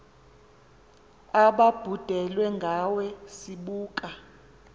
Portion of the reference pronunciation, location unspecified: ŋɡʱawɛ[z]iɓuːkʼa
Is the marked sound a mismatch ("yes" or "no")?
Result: yes